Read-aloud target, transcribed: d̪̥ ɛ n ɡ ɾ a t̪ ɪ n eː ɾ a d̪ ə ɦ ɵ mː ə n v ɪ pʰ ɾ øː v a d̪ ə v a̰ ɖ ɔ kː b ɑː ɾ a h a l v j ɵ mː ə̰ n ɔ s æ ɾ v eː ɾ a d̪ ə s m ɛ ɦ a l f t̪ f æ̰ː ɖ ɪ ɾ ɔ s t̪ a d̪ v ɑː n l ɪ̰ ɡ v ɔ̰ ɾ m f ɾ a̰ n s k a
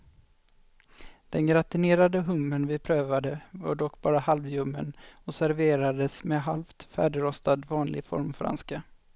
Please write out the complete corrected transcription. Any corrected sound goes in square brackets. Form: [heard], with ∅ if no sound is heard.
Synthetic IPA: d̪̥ ɛ n ɡ ɾ a t̪ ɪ n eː ɾ a d̪ ə ɦ ɵ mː ə n v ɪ pʰ ɾ øː v a d̪ ə v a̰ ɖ ɔ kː b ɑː ɾ a h a l v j ɵ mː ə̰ n ɔ s æ ɾ v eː ɾ a d̪ ə s m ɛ ɦ a l f t̪ f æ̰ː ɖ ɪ ɾ ɔ s t̪ a d̪ v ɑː n l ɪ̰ ɡ [f] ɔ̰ ɾ m f ɾ a̰ n s k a